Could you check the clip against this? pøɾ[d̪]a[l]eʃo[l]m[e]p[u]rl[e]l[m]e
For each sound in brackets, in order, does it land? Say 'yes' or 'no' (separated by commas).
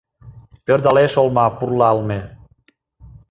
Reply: yes, yes, yes, no, yes, no, yes